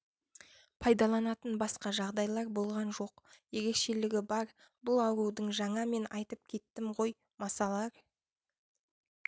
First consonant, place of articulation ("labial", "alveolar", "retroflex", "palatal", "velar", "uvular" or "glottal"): labial